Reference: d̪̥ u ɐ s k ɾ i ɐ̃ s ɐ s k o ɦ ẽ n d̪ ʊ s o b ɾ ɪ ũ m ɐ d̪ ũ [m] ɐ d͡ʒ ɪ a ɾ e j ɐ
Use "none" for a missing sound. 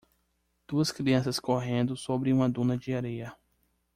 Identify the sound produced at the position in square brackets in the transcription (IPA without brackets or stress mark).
n